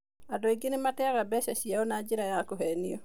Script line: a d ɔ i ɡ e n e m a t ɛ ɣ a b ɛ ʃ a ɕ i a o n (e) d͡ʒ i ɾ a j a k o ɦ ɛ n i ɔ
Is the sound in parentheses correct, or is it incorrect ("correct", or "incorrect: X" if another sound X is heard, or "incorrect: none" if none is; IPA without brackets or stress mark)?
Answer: incorrect: a